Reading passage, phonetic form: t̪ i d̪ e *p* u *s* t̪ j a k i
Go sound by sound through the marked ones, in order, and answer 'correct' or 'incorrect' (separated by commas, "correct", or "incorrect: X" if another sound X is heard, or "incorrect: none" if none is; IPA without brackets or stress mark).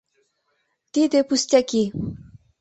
correct, correct